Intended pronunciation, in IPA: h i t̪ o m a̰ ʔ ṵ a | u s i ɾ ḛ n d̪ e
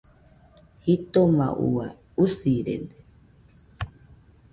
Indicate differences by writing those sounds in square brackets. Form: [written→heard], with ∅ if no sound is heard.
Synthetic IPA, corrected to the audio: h i t̪ o m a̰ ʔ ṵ a | u s i ɾ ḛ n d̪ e

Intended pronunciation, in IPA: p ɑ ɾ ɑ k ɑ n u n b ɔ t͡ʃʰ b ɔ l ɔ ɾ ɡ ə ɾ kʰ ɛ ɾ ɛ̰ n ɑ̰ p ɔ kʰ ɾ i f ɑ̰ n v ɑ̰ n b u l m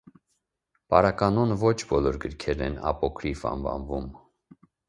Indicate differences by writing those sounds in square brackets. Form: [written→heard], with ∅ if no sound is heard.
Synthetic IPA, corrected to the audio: p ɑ ɾ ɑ k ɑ n [u→ɔ] n [b→v] ɔ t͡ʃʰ b ɔ l ɔ ɾ ɡ ə ɾ kʰ ɛ ɾ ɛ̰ n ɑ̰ p ɔ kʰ ɾ i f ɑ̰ n v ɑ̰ n [b→v] u [l→∅] m

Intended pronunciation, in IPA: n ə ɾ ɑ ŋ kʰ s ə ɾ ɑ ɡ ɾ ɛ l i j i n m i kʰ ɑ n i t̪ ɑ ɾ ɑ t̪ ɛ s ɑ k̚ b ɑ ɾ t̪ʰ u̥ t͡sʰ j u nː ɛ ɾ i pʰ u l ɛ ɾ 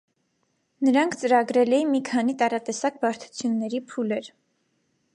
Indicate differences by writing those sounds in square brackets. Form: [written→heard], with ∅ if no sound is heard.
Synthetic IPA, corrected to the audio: n ə ɾ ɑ ŋ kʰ [s→t͡s] ə ɾ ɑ ɡ ɾ ɛ l [i→ɛ] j i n m i kʰ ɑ n i t̪ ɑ ɾ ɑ t̪ ɛ s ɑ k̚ b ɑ ɾ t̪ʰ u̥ t͡sʰ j u nː ɛ ɾ i pʰ u l ɛ ɾ

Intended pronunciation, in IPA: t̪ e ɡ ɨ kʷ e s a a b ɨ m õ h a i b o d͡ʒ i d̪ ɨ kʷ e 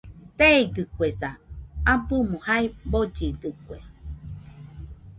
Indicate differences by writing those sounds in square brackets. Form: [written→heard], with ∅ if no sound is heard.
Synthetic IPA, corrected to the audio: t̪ e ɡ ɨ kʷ e s a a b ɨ m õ h a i b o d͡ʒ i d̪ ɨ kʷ e

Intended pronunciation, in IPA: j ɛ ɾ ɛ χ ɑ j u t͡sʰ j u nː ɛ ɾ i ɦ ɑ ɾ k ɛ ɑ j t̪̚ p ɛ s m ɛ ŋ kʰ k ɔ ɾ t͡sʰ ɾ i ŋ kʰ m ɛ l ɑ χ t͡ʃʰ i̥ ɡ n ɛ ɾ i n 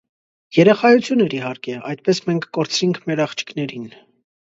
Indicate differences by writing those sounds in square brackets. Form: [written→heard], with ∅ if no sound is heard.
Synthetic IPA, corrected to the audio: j ɛ ɾ ɛ χ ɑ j u t͡sʰ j u [nː→n] ɛ ɾ i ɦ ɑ ɾ k ɛ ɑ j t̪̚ p ɛ s m ɛ ŋ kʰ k ɔ ɾ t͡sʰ ɾ i ŋ kʰ m ɛ [l→ɾ] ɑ χ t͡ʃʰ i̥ [ɡ→k] n ɛ ɾ i n

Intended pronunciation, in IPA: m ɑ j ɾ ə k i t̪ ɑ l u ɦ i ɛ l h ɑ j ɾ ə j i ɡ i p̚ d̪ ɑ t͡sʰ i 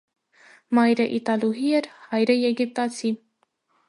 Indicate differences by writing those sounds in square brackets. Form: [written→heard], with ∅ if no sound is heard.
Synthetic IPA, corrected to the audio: m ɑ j ɾ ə [k→ʔ] i t̪ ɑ l u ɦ i ɛ [l→ɾ] h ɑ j ɾ ə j [i→ɛ] ɡ i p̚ [d̪→t̪] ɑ t͡sʰ i

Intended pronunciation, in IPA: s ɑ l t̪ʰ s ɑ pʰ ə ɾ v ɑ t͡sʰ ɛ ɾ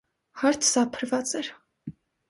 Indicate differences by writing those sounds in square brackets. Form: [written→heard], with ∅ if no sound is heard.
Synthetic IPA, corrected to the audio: [s→h] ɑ [l→ɾ] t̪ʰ s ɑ pʰ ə ɾ v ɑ [t͡sʰ→t͡s] ɛ ɾ

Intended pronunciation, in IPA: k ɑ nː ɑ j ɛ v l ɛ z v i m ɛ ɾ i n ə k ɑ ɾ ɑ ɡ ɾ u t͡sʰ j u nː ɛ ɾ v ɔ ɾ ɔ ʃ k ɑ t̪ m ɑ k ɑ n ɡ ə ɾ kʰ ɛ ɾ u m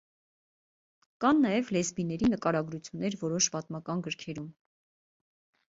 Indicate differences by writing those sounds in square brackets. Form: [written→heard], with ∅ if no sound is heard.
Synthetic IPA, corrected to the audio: k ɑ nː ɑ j ɛ v l ɛ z [v→b] i [m→n] ɛ ɾ i n ə k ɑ ɾ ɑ ɡ ɾ u t͡sʰ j u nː ɛ ɾ v ɔ ɾ ɔ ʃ [k→p] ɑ t̪ m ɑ k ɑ n ɡ ə ɾ kʰ ɛ ɾ u m

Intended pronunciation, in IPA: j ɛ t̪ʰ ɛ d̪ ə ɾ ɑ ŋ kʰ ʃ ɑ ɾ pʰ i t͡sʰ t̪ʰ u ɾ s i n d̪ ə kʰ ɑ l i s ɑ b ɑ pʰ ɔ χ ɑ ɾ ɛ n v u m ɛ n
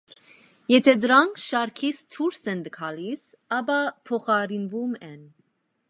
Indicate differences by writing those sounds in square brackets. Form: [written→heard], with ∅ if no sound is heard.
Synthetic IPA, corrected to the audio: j ɛ t̪ʰ ɛ d̪ ə ɾ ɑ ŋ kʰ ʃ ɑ ɾ [pʰ→kʰ] i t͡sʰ t̪ʰ u ɾ s [i→ɛ] n d̪ ə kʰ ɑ l i s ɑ b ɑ pʰ ɔ χ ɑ ɾ [ɛ→i] n v u m ɛ n

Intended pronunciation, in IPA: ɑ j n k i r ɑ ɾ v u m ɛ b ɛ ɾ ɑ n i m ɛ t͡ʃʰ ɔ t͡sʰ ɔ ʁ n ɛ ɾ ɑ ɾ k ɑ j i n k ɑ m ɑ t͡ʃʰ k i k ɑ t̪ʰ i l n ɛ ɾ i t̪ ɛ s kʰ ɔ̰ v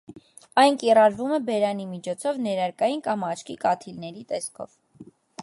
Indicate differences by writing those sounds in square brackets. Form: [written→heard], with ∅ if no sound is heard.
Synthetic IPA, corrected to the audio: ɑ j n k i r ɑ ɾ v u m ɛ b ɛ ɾ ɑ n i m [ɛ→i] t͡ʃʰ ɔ t͡sʰ ɔ [ʁ→v] n ɛ ɾ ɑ ɾ k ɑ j i n k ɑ m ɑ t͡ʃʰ k i k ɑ t̪ʰ i l n ɛ ɾ i t̪ ɛ s kʰ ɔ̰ v

